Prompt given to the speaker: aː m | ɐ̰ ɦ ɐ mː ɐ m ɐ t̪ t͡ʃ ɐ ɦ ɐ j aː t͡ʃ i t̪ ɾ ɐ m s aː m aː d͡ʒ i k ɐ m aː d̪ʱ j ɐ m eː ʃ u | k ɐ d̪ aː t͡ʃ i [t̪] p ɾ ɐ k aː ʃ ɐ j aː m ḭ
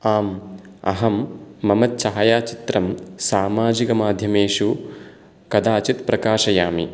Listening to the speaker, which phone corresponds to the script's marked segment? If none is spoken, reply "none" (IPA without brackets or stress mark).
t̪